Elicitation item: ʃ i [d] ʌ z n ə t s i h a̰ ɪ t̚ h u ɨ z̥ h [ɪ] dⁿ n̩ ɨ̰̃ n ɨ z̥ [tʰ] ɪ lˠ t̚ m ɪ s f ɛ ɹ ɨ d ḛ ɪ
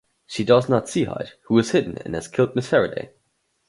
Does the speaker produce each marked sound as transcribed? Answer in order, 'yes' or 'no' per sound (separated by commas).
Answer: yes, yes, no